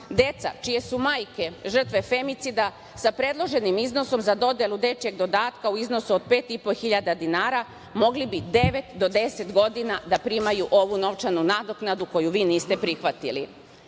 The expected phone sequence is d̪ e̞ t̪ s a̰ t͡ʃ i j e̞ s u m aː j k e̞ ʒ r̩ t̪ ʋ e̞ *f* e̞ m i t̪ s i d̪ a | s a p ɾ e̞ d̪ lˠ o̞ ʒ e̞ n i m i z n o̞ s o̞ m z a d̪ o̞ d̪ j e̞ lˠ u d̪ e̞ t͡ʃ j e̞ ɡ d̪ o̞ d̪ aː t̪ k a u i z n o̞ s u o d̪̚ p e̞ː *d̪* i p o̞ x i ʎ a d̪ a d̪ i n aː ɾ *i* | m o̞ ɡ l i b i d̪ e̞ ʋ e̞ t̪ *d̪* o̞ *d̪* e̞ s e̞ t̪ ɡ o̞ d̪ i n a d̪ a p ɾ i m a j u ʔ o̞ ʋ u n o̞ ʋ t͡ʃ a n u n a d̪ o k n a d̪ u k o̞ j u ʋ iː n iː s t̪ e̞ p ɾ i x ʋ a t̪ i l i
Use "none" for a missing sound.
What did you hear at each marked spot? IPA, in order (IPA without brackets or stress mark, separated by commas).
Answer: f, t̪, a, d̪, d̪